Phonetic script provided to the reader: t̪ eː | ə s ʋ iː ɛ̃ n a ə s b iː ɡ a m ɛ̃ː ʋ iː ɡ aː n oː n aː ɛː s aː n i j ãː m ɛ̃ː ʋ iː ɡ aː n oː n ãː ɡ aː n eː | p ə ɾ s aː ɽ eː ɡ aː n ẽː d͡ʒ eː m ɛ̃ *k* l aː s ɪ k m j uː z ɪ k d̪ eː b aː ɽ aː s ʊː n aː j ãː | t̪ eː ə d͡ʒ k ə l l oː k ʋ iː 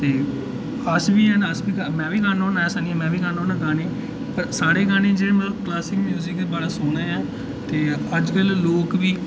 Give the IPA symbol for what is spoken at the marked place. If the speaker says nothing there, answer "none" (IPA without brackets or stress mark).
k